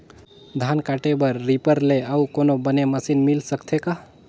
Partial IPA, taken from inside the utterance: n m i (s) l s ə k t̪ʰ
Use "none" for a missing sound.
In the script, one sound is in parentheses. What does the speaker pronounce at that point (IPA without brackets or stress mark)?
none